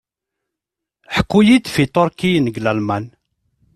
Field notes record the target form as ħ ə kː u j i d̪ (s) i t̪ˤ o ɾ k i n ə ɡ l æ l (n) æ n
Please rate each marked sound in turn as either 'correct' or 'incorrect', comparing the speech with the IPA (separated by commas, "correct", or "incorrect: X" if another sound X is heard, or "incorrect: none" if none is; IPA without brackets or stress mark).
incorrect: f, incorrect: m